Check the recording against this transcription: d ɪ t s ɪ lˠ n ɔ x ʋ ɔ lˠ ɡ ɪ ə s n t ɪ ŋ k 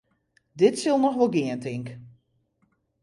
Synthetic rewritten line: d ɪ t s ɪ lˠ n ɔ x ʋ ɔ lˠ ɡ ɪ ə n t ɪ ŋ k